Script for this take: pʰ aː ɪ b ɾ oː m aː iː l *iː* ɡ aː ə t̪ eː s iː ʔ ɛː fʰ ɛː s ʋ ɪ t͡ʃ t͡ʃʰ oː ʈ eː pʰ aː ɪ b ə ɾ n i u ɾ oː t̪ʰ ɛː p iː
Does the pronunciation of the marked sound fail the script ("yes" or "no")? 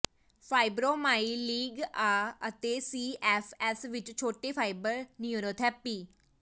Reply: no